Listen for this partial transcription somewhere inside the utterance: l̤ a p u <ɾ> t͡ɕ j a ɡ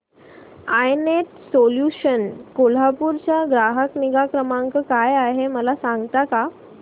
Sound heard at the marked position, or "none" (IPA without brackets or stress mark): ɾ